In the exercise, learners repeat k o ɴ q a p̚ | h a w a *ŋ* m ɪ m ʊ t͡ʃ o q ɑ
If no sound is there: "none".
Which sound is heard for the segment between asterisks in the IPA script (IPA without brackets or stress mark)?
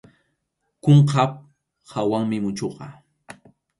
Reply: ŋ